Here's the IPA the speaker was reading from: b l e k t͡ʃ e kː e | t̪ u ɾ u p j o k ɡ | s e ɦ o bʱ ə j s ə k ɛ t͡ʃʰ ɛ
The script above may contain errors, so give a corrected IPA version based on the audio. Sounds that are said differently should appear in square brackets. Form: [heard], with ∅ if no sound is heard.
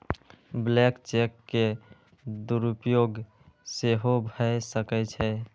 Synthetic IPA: b l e k t͡ʃ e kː e | [d̪] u ɾ u p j o [∅] ɡ | s e ɦ o bʱ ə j s ə k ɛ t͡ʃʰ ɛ